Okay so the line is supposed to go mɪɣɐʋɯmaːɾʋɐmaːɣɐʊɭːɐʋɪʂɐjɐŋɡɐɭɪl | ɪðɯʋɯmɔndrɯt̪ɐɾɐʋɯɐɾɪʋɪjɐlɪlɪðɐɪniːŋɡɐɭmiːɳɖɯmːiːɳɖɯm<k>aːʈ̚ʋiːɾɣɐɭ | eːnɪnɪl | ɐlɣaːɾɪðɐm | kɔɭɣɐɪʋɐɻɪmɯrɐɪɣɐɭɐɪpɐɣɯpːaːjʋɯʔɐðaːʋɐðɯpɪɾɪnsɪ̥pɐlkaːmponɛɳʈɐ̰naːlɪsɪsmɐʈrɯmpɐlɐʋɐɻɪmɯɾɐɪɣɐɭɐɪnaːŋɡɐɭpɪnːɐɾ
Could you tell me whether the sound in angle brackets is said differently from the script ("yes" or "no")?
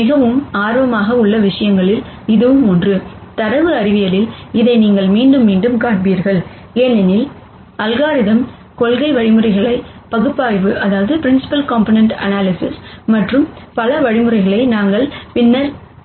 no